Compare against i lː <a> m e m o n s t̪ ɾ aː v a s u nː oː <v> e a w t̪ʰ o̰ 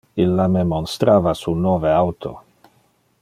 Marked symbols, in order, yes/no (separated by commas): yes, yes